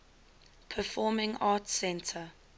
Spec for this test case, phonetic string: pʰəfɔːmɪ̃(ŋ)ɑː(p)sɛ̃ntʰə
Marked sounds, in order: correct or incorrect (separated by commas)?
correct, incorrect